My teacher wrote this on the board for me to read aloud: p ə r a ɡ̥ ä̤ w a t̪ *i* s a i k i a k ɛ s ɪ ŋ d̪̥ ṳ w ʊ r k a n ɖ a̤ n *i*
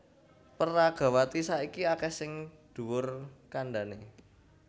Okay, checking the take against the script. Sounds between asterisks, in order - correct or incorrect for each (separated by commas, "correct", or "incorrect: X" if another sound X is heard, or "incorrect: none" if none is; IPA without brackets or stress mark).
correct, incorrect: e